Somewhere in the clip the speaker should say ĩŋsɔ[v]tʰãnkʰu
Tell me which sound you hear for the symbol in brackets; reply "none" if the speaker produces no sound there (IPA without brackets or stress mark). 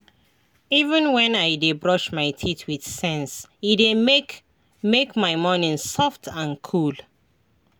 f